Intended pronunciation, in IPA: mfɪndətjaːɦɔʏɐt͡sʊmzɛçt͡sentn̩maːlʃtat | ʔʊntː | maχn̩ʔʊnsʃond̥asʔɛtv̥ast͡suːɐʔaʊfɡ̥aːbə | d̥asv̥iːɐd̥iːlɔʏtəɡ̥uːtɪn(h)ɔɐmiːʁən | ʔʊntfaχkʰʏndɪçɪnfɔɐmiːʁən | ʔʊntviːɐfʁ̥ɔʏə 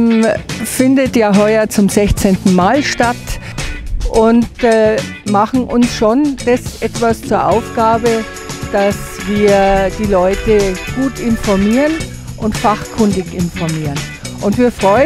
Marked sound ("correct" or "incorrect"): incorrect